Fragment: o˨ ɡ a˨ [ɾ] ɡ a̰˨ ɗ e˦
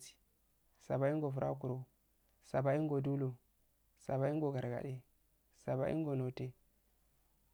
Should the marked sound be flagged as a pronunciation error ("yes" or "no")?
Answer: no